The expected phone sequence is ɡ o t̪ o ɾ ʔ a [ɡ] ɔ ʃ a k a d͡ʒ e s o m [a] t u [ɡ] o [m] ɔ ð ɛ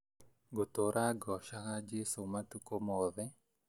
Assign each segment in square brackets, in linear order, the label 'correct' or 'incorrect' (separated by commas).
correct, correct, incorrect, correct